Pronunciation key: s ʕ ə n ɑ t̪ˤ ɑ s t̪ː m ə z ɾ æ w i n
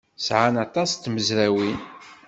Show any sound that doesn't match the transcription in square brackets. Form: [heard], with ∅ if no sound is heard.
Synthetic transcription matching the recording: s ʕ [a] n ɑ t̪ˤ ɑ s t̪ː m ə z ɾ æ w i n